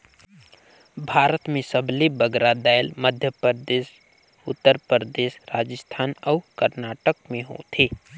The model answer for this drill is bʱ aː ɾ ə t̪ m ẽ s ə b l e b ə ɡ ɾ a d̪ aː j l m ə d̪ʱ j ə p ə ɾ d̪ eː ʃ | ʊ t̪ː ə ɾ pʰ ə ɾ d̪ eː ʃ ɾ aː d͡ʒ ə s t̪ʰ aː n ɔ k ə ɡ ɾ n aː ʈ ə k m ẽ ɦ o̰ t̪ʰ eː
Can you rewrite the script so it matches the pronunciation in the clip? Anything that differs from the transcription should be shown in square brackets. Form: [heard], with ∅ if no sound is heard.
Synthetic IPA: bʱ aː ɾ ə t̪ m ẽ s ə b l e b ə ɡ ɾ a d̪ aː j l m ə d̪ʱ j ə p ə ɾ d̪ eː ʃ | ʊ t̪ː ə ɾ [p] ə ɾ d̪ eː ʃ ɾ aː d͡ʒ ə s t̪ʰ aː n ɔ k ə [∅] ɾ n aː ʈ ə k m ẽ ɦ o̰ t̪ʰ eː

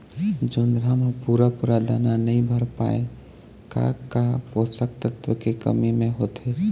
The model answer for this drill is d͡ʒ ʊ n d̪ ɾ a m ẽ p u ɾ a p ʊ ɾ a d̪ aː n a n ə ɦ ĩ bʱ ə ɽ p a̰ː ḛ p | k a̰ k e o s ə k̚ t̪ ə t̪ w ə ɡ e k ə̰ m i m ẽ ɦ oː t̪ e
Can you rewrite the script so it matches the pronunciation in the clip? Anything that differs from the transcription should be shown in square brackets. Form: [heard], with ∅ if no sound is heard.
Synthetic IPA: d͡ʒ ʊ n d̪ ɾ a m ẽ p u ɾ a p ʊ ɾ a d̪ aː n a n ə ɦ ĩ bʱ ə [ɾ] p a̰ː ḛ [∅] | k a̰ k [a] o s ə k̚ t̪ ə t̪ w ə [k] e k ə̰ m i m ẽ ɦ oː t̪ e

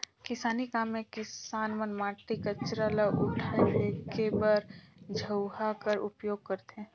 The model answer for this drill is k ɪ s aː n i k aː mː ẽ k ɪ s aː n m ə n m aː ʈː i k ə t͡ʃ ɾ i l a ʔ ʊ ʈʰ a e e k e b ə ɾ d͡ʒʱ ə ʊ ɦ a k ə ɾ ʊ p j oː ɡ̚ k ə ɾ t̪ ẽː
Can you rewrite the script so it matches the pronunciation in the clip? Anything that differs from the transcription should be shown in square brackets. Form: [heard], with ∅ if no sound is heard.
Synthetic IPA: k ɪ s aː n i k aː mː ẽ k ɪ s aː n m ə n m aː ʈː i k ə t͡ʃ ɾ [a] l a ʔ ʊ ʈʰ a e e k e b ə ɾ d͡ʒʱ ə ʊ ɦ a k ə ɾ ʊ p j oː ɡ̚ k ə ɾ t̪ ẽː

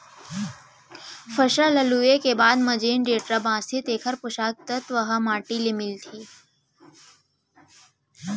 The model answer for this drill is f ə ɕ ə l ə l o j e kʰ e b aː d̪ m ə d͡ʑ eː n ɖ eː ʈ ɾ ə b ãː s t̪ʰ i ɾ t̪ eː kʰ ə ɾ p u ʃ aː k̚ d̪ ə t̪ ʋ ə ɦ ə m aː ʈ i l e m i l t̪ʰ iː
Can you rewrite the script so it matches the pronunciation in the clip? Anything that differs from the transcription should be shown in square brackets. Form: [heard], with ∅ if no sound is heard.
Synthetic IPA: f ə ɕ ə l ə l [u] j e [k] e b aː d̪ m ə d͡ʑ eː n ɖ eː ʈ ɾ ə b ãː s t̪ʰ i [∅] t̪ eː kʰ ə ɾ p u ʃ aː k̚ [t̪] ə t̪ ʋ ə ɦ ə m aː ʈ i l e m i l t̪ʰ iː

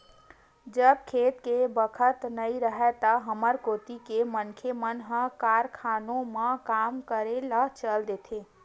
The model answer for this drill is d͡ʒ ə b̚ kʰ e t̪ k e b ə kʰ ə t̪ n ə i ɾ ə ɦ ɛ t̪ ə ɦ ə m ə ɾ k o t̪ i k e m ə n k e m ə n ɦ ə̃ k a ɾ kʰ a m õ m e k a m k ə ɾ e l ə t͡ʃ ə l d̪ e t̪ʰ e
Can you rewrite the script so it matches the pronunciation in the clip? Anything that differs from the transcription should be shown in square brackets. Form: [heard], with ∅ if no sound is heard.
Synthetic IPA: d͡ʒ ə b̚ kʰ e t̪ k e b ə kʰ ə t̪ n ə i ɾ ə ɦ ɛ t̪ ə ɦ ə m ə ɾ k o t̪ i k e m ə n [kʰ] e m ə n ɦ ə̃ k a ɾ kʰ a [n] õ m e k a m k ə ɾ e l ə t͡ʃ ə l d̪ e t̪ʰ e

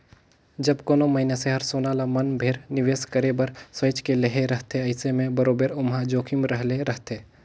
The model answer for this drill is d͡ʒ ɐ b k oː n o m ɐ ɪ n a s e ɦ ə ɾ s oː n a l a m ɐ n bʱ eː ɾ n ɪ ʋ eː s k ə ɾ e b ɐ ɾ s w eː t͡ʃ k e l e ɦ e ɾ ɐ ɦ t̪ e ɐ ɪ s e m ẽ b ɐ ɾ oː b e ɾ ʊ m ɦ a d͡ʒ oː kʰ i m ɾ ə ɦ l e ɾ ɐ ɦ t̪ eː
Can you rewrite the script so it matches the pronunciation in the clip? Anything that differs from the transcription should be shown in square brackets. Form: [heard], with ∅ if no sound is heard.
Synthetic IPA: d͡ʒ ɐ b k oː n o m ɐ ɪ n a s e ɦ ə ɾ s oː n a l a m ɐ n bʱ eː ɾ n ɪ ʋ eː s k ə ɾ e b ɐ ɾ s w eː t͡ʃ k e l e ɦ e ɾ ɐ ɦ t̪ e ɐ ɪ s e m ẽ b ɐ ɾ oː b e ɾ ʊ m ɦ a d͡ʒ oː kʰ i m ɾ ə ɦ l e ɾ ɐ ɦ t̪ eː

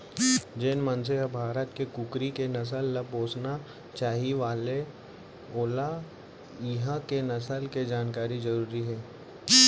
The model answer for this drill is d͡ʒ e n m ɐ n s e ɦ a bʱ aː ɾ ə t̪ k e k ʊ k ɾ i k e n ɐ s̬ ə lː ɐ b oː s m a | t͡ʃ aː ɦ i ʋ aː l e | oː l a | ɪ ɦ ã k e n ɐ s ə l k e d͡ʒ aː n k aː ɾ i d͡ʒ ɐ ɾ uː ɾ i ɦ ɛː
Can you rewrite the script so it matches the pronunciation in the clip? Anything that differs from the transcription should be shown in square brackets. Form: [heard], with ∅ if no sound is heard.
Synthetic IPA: d͡ʒ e n m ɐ n s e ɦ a bʱ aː ɾ ə t̪ k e k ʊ k ɾ i k e n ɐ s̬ ə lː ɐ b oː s [n] a | t͡ʃ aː ɦ i ʋ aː l e | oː l a | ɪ ɦ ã k e n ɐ s ə l k e d͡ʒ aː n k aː ɾ i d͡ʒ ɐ ɾ uː ɾ i ɦ ɛː

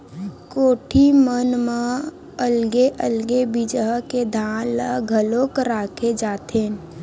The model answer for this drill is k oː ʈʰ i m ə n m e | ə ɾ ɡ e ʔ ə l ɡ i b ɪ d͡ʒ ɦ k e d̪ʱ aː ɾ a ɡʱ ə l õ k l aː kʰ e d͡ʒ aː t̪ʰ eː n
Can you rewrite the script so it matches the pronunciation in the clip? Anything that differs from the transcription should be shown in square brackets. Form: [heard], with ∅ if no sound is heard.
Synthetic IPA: k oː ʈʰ i m ə n m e | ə [l] ɡ e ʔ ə l ɡ [e] b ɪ d͡ʒ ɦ k e d̪ʱ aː [l] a ɡʱ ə l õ k [ɾ] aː kʰ e d͡ʒ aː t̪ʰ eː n

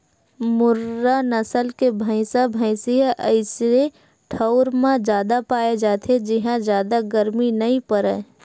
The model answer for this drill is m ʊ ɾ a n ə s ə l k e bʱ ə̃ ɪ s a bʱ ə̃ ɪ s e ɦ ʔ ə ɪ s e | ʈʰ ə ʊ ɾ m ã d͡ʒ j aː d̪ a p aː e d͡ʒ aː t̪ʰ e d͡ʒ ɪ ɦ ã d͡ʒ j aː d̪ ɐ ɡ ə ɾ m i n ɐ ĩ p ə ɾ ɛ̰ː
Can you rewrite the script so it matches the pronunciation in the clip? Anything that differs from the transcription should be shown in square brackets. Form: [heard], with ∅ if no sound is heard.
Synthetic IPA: m ʊ ɾ a n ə s ə l k e bʱ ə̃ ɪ s a bʱ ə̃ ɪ s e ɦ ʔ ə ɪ s e | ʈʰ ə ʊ ɾ m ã d͡ʒ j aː d̪ a p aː e d͡ʒ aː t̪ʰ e d͡ʒ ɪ ɦ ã d͡ʒ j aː d̪ [a] ɡ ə ɾ m i n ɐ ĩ p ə ɾ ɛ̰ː

